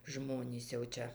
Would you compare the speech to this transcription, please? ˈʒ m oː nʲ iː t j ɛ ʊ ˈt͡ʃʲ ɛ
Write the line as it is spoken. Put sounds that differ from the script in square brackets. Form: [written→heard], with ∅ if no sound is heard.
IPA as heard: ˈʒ m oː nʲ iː [t→s] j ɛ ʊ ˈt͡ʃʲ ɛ